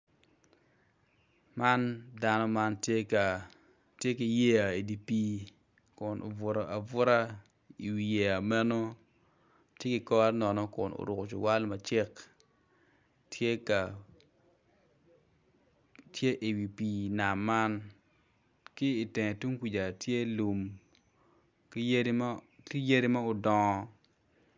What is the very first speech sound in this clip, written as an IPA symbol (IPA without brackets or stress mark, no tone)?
m